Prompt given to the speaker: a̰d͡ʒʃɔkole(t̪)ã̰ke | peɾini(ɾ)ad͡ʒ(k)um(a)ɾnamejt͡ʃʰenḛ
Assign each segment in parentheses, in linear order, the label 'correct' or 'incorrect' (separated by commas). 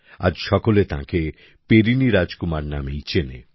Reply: correct, correct, correct, correct